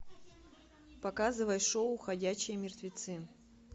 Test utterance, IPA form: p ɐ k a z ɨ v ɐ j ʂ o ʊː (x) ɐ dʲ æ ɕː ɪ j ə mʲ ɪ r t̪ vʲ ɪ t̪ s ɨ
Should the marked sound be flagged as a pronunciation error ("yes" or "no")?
no